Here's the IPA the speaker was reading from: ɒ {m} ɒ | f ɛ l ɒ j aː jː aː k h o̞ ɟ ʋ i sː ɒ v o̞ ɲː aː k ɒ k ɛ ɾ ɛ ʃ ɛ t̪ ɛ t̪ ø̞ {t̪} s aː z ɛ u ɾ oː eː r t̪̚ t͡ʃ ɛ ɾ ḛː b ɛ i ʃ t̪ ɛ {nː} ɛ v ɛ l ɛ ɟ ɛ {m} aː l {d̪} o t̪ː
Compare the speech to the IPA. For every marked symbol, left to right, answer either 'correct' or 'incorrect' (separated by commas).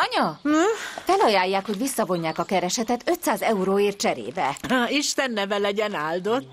incorrect, correct, correct, incorrect, correct